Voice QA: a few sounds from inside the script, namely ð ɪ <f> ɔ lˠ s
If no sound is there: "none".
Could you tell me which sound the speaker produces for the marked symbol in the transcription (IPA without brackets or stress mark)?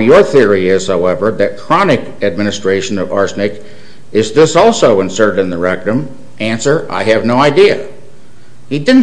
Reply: s